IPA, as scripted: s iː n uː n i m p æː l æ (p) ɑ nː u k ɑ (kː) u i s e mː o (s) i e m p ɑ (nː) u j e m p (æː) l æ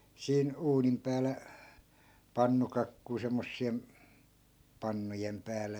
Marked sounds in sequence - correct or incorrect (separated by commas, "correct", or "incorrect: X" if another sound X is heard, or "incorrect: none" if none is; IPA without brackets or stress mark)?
correct, correct, incorrect: sː, correct, correct